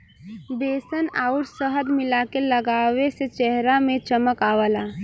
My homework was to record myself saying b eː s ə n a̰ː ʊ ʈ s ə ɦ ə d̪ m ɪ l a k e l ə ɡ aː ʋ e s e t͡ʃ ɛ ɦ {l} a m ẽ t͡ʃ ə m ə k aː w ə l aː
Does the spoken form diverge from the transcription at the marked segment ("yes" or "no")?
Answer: yes